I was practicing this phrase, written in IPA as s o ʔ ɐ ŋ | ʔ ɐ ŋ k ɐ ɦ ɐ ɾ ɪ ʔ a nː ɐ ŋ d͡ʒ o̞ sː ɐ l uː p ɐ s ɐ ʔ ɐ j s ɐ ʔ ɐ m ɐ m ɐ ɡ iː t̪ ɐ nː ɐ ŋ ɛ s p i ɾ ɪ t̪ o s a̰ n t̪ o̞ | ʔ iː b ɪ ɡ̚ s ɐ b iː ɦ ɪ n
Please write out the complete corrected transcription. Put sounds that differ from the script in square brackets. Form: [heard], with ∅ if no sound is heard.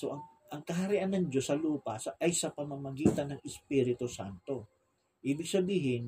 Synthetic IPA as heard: s o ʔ ɐ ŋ | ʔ ɐ ŋ k ɐ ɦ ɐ ɾ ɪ ʔ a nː ɐ ŋ d͡ʒ o̞ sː ɐ l uː p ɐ s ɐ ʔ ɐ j s ɐ [p] ɐ m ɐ m ɐ ɡ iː t̪ ɐ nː ɐ ŋ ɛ s p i ɾ ɪ t̪ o s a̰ n t̪ o̞ | ʔ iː b ɪ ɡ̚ s ɐ b iː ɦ ɪ n